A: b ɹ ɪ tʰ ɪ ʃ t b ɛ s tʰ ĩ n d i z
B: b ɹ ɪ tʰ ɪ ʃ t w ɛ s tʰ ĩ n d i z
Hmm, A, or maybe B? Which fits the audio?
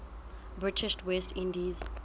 B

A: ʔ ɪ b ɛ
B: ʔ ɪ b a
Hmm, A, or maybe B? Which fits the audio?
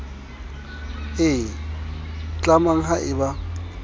B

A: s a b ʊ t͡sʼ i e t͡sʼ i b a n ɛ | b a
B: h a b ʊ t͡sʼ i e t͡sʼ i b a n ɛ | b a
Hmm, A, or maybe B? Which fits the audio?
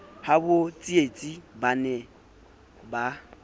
B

